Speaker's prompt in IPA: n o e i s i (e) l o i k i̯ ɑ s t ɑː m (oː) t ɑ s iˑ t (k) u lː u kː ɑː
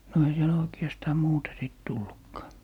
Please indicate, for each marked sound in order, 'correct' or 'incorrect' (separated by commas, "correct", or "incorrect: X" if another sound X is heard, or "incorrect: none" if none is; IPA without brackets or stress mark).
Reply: correct, incorrect: uː, incorrect: t